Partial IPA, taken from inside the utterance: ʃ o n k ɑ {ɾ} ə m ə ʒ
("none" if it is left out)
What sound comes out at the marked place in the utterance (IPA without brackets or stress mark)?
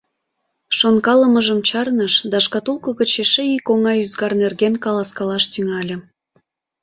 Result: l